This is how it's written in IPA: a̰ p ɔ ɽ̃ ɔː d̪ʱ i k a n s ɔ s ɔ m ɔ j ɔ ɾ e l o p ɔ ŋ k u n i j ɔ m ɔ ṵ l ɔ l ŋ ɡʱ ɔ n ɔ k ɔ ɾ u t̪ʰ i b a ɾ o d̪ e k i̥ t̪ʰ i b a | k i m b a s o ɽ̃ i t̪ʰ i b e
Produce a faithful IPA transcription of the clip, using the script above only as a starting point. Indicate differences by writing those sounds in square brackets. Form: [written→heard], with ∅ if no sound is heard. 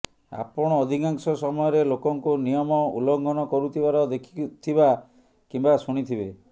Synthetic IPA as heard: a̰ p ɔ ɽ̃ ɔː d̪ʱ i k a [n→ŋ] s ɔ s ɔ m ɔ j ɔ ɾ e l o [p→k] ɔ ŋ k u n i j ɔ m ɔ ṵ l ɔ [l→∅] ŋ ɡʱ ɔ n ɔ k ɔ ɾ u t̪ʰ i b a ɾ [o→ɔ] d̪ e [k→kʰ] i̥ t̪ʰ i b a | k i m b a s [o→u] ɽ̃ i t̪ʰ i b e